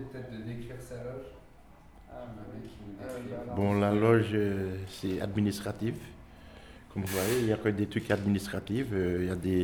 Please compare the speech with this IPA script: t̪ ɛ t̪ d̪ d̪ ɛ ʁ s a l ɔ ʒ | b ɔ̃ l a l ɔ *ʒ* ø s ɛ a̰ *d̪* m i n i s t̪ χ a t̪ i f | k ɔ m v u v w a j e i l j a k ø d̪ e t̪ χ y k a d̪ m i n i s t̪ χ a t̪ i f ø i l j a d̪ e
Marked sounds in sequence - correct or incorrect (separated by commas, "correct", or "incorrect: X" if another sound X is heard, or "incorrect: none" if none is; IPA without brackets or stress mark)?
correct, correct